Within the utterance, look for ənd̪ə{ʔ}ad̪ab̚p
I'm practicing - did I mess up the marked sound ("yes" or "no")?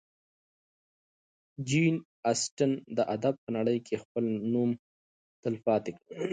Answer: no